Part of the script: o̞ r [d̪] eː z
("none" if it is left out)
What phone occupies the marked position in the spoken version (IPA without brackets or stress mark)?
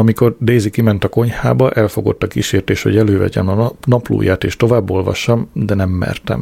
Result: d̪